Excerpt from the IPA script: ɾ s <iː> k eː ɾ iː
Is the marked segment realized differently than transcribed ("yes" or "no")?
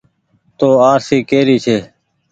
no